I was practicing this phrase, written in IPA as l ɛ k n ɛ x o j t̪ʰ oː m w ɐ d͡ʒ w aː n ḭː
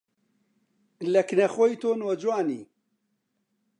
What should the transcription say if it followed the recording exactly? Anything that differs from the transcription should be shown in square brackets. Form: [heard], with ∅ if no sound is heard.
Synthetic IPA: l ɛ k n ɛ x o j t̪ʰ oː [n] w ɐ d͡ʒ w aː n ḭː